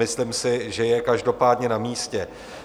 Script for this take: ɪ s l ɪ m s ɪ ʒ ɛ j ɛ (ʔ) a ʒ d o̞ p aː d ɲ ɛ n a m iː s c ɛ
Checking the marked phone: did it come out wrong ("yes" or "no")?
yes